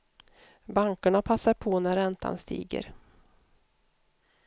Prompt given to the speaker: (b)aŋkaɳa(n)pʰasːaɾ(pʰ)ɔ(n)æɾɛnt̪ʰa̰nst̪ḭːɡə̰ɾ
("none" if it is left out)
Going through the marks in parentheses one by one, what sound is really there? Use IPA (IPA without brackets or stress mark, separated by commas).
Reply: b, none, pʰ, n